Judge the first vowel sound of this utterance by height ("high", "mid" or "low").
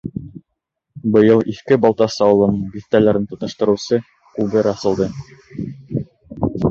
mid